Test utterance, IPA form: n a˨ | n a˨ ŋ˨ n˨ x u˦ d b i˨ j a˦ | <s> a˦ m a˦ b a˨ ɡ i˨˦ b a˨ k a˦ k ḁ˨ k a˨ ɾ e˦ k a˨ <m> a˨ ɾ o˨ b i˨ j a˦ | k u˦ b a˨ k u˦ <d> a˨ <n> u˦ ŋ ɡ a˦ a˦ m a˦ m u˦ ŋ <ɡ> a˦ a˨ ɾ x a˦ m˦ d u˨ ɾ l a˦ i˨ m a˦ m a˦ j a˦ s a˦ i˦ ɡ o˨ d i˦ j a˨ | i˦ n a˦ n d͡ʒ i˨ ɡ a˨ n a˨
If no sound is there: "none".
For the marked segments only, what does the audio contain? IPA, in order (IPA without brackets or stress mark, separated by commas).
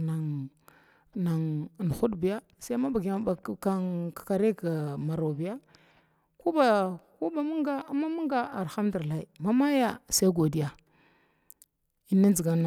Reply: s, m, b, m, ɡ